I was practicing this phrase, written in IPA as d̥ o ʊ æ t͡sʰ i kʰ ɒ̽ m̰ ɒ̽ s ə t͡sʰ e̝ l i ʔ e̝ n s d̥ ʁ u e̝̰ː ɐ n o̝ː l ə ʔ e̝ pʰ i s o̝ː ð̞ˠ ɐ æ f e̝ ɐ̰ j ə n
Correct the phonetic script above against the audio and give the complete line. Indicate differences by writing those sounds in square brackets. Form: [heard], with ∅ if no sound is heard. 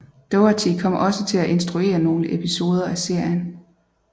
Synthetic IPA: d̥ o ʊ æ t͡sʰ i kʰ ɒ̽ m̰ ɒ̽ s ə t͡sʰ e̝ l [æ] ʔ e̝ n s d̥ ʁ u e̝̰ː ɐ n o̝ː l ə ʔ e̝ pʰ i s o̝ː ð̞ˠ ɐ æ [s] e̝ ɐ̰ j ə n